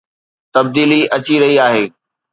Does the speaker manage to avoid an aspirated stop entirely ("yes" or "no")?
yes